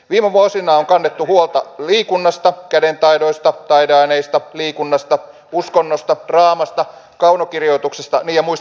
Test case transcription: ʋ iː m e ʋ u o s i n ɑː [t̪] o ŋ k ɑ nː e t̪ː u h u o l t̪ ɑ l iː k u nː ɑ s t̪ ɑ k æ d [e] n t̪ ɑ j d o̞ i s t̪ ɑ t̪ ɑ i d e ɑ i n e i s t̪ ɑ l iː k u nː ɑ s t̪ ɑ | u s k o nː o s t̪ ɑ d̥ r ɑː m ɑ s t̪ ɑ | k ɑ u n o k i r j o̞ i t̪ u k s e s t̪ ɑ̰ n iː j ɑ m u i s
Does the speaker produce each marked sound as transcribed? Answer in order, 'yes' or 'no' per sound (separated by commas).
no, yes